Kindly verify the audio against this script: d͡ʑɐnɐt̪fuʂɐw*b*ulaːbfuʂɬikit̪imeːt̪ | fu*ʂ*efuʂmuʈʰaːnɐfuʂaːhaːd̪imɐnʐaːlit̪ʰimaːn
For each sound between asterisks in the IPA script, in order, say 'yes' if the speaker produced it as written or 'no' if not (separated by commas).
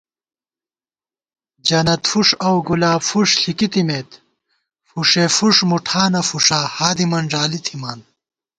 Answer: no, yes